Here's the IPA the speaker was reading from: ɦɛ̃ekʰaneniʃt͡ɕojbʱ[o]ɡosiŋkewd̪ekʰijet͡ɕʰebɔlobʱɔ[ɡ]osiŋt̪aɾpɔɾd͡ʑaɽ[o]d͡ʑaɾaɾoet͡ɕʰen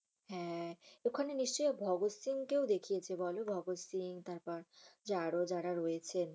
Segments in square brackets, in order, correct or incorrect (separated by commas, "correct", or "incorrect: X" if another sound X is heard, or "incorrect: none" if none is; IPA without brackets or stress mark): incorrect: ɔ, correct, correct